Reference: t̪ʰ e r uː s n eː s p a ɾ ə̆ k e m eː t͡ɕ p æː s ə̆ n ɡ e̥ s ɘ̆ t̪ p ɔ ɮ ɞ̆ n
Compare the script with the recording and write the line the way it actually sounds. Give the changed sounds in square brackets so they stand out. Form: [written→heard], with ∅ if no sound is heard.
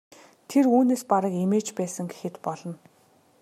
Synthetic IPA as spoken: t̪ʰ e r uː [s→∅] n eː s p a ɾ ə̆ k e m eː t͡ɕ p æː s ə̆ [n→ŋ] ɡ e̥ [s→x] ɘ̆ t̪ p ɔ ɮ ɞ̆ n